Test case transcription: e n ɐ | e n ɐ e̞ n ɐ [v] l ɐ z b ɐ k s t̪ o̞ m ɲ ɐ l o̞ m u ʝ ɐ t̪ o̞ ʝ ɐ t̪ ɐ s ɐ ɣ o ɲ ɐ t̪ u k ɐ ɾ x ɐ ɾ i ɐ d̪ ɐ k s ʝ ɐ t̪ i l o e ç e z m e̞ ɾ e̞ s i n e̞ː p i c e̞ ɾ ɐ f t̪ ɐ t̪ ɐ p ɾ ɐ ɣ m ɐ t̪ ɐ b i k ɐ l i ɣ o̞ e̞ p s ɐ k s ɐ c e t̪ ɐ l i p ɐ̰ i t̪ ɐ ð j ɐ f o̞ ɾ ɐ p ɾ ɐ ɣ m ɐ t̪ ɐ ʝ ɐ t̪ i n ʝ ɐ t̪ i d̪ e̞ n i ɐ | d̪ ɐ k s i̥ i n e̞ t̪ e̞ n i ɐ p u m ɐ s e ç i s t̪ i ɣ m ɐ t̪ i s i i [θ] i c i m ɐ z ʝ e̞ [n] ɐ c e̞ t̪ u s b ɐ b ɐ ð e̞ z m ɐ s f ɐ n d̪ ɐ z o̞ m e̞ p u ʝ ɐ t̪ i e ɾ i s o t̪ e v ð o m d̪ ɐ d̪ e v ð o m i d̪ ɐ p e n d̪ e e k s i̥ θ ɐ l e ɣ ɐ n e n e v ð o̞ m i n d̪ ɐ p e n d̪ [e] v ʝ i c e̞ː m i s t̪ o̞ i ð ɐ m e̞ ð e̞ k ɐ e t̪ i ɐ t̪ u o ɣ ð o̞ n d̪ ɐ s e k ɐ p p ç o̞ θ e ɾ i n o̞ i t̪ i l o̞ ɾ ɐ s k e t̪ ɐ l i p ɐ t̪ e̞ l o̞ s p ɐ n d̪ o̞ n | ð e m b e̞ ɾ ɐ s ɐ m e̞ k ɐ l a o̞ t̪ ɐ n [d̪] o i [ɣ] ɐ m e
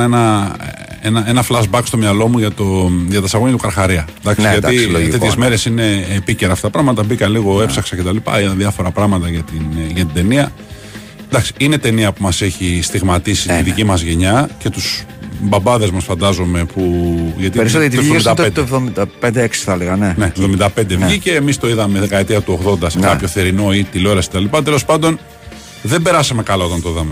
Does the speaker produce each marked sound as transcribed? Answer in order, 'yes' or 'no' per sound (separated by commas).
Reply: no, no, no, yes, no, no